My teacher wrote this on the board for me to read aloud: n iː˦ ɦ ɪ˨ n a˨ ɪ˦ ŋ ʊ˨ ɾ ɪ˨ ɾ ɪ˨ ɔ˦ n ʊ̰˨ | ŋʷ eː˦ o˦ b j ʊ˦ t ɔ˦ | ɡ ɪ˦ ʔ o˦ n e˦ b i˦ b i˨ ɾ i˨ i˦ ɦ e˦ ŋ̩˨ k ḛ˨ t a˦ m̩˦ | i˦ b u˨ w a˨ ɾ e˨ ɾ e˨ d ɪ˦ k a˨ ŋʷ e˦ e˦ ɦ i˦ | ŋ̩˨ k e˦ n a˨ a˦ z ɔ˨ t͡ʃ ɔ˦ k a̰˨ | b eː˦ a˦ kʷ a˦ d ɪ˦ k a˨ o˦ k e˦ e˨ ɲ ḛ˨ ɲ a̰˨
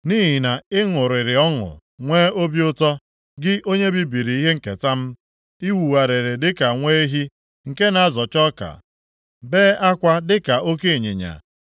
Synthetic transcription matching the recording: n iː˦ ɦ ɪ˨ n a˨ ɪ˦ ŋ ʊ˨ ɾ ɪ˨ ɾ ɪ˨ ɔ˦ ŋ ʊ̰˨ | ŋʷ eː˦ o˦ b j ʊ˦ t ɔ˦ | ɡ ɪ˦ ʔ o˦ ɲ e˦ b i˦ b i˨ ɾ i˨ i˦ ɦ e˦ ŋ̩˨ k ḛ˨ t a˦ m̩˦ | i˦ w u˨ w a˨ ɾ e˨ ɾ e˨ d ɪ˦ k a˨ ŋʷ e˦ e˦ ɦ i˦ | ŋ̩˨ k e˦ n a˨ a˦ z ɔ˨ t͡ʃ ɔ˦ k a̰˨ | b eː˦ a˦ kʷ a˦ d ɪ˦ k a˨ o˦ k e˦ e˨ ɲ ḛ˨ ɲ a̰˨